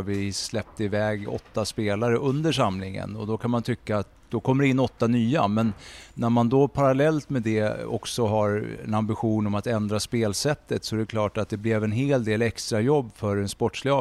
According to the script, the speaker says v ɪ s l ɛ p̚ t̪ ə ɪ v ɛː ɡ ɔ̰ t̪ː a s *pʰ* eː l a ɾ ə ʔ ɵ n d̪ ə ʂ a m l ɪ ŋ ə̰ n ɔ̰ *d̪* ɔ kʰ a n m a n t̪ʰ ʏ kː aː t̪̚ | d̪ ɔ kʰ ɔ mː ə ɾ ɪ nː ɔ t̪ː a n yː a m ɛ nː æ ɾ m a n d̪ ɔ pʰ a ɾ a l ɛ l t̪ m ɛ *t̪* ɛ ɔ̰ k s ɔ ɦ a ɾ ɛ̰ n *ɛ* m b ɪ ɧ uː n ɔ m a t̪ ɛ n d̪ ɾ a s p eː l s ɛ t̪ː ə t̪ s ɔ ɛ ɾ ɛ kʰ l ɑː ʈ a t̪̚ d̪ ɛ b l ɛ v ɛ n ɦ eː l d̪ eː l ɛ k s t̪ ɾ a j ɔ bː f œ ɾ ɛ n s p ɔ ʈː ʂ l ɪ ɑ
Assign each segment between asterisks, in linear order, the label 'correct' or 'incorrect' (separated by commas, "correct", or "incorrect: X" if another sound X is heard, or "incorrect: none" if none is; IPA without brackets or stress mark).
incorrect: p, correct, incorrect: d̪, incorrect: a